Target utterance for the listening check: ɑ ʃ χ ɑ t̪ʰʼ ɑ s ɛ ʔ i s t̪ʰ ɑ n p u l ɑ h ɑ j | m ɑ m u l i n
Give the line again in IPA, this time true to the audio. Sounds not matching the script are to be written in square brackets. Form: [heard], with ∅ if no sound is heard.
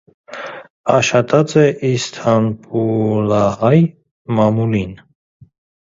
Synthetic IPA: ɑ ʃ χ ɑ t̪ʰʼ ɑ [t͡s] ɛ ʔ i s t̪ʰ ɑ n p u l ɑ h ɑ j | m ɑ m u l i n